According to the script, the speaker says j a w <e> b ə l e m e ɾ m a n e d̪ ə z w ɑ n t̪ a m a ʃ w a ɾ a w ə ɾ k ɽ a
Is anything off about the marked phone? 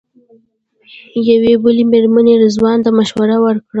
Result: no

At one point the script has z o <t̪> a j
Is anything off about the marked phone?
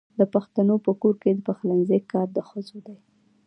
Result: yes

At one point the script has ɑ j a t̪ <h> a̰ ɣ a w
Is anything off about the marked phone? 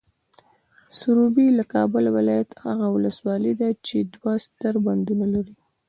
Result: no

